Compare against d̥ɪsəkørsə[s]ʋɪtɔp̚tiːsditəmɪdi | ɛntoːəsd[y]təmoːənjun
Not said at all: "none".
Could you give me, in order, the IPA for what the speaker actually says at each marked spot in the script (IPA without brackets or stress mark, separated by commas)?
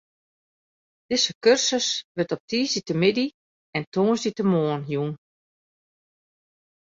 s, i